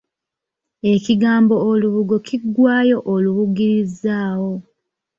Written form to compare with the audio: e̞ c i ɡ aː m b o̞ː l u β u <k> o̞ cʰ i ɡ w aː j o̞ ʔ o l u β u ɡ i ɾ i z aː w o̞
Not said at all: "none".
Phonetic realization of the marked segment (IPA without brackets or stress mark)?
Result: ɡ